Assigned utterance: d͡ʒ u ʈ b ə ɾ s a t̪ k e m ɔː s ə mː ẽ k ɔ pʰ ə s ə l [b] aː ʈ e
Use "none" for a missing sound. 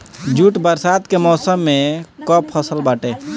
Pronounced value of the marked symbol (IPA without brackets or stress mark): b